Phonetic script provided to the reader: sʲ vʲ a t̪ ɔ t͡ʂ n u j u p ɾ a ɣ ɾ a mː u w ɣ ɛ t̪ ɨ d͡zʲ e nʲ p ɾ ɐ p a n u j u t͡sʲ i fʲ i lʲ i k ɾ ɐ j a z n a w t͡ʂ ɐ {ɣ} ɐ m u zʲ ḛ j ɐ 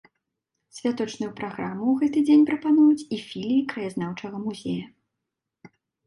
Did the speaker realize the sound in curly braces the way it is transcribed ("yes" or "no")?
yes